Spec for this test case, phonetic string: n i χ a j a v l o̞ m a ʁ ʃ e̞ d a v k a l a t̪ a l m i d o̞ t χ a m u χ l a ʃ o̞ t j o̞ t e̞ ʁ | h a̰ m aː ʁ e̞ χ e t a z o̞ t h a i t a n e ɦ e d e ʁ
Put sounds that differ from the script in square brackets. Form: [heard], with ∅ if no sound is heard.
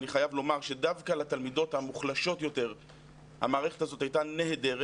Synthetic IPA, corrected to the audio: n i χ a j a v l o̞ m a ʁ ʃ e̞ d a v k a l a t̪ a l m i d o̞ t [h] a m u χ l a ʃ o̞ t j o̞ t e̞ ʁ | h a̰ m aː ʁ e̞ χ e t a z o̞ t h a [j] t a n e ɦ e d e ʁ